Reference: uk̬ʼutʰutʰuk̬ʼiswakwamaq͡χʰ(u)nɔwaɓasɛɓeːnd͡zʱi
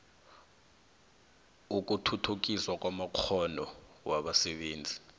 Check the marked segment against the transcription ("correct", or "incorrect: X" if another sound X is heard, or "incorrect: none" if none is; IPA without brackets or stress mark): incorrect: ɔ